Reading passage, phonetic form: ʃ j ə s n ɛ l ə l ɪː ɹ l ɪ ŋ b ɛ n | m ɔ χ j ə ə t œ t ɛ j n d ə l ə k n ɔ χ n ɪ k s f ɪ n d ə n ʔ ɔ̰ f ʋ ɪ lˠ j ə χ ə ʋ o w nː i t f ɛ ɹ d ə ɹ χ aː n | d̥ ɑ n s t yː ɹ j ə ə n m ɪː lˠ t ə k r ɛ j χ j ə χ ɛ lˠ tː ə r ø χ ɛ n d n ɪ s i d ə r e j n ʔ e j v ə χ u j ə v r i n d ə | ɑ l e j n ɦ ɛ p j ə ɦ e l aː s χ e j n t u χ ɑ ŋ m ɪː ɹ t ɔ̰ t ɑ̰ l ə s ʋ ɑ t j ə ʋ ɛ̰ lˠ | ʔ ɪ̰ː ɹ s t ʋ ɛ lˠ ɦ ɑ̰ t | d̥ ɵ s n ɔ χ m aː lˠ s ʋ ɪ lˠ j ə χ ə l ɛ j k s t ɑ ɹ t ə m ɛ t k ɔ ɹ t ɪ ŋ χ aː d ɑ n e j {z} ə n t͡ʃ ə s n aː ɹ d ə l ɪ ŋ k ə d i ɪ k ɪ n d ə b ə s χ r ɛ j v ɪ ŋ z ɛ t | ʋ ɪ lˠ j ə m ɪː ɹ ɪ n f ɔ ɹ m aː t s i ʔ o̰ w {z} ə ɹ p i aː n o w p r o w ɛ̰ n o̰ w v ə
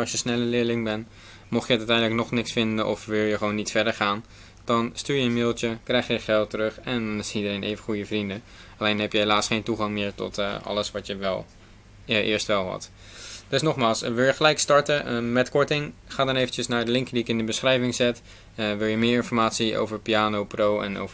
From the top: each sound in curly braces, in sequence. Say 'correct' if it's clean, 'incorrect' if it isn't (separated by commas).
incorrect, incorrect